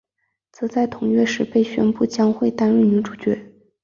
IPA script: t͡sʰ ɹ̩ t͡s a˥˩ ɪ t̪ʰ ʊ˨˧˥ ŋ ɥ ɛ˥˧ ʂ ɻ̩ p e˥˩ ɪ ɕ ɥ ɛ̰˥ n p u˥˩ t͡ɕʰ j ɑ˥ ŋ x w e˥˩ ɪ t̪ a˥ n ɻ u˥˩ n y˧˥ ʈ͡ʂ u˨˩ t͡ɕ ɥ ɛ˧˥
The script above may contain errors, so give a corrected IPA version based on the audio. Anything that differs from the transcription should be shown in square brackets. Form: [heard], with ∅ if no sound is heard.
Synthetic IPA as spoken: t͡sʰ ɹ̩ t͡s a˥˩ ɪ t̪ʰ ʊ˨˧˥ ŋ ɥ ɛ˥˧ ʂ ɻ̩ p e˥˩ ɪ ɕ ɥ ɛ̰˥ n p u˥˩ [t͡ɕ] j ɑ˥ ŋ x w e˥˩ ɪ t̪ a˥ n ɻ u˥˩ n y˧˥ ʈ͡ʂ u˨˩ t͡ɕ ɥ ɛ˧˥